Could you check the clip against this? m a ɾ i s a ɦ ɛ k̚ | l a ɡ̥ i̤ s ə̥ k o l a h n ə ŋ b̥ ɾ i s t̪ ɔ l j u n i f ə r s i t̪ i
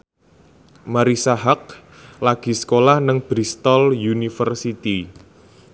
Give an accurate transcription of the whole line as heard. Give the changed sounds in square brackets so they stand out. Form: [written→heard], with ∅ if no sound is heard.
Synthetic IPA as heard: m a ɾ i s a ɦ [ɛ→a] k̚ | l a ɡ̥ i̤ s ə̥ k o l a h n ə ŋ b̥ ɾ i s t̪ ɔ l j u n i f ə r s i t̪ i